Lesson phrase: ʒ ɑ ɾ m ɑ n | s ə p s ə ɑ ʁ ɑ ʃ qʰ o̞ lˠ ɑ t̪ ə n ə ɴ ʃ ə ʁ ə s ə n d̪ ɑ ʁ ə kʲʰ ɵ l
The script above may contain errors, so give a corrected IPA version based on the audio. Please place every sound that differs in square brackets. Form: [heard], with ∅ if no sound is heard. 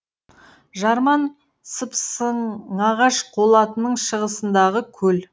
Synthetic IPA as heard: ʒ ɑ ɾ m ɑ n | s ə p s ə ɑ ʁ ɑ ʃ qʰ o̞ lˠ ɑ t̪ ə n ə ɴ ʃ ə ʁ ə s ə n d̪ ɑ ʁ ə kʲʰ ɵ l